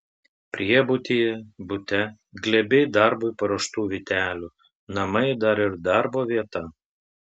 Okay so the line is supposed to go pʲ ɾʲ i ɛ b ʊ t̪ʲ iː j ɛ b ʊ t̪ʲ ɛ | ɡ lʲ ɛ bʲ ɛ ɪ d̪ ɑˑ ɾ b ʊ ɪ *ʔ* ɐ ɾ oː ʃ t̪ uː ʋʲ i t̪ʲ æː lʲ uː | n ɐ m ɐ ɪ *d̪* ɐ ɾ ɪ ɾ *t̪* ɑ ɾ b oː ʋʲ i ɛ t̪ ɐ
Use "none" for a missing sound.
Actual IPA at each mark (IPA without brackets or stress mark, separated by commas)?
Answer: p, d̪, d̪